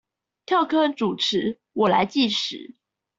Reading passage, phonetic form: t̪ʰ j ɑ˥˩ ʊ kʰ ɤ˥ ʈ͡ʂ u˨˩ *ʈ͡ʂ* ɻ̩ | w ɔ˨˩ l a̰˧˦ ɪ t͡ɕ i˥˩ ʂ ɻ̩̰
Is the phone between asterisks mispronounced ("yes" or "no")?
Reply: yes